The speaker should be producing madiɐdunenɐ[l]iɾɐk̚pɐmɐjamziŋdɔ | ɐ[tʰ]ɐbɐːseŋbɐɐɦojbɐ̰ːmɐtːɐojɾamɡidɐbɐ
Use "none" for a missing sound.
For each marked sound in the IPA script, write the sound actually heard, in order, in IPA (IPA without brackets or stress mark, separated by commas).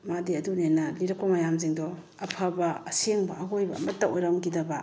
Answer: l, pʰ